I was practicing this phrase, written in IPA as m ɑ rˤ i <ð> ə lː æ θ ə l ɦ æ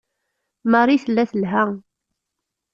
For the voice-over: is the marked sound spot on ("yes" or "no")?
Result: no